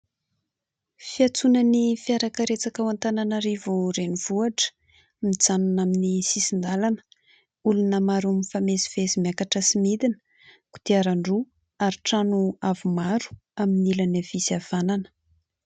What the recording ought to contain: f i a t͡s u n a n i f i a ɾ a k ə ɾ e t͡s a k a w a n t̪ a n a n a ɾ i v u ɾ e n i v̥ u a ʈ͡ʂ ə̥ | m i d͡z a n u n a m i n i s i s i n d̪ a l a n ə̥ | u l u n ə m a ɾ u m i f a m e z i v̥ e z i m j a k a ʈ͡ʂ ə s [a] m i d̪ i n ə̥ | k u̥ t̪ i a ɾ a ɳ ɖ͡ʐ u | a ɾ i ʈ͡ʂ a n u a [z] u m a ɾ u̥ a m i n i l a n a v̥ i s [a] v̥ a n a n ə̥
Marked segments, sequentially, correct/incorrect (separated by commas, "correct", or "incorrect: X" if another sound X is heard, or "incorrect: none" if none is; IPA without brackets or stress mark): incorrect: i, incorrect: v, correct